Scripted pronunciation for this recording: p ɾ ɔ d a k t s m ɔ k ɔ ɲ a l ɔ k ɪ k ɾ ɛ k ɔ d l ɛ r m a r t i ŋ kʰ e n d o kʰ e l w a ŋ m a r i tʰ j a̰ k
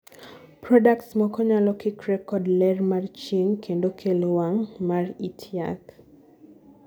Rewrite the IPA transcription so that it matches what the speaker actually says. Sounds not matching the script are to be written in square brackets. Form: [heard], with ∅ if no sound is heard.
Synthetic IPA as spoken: p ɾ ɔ d a k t s m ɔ k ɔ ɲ a l ɔ k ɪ k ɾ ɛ k ɔ d l ɛ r m a r [t͡ʃ] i ŋ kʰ e n d o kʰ e l w a ŋ m a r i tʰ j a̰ k